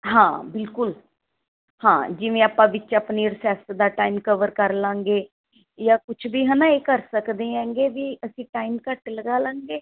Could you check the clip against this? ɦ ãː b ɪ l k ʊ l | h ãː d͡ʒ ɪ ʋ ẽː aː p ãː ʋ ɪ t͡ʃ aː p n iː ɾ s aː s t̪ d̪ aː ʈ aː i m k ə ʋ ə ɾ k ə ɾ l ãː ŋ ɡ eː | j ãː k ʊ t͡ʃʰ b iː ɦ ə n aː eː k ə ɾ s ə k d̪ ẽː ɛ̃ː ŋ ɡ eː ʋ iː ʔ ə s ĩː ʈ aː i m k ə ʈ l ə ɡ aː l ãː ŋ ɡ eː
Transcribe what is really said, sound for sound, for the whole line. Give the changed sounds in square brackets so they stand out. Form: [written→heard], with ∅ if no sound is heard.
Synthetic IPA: ɦ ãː b ɪ l k ʊ l | h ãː d͡ʒ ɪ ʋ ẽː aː p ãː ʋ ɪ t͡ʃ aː p n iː ɾ s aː s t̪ d̪ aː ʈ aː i m k ə ʋ ə ɾ k ə ɾ l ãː ŋ ɡ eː | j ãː k ʊ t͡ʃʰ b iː ɦ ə n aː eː k ə ɾ s ə k d̪ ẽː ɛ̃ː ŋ ɡ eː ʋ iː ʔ ə s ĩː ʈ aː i m k ə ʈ l ə ɡ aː l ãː ŋ ɡ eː